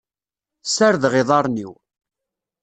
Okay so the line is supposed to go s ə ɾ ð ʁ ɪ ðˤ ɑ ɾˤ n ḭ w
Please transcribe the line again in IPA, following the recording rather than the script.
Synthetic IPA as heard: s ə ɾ ð ʁ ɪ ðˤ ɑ ɾˤ n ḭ w